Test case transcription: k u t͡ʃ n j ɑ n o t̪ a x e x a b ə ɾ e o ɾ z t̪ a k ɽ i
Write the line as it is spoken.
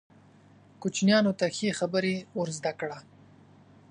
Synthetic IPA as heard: k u t͡ʃ n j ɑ n o t̪ a x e x a b ə ɾ e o ɾ z d̪ a k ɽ a